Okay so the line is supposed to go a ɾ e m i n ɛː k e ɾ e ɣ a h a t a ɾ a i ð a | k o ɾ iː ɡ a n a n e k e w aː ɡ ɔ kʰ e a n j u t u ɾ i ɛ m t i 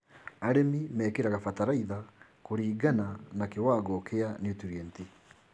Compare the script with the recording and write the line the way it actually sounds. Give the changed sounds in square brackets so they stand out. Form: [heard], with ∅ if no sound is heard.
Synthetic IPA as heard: a ɾ e m i [m] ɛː k e ɾ [a] ɣ a [f] a t a ɾ a i ð a | k o ɾ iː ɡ a n a n [a] k e w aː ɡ ɔ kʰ e a n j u t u ɾ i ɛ [n] t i